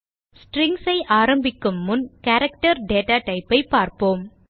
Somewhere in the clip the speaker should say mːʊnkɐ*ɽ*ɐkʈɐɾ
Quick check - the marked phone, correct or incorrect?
incorrect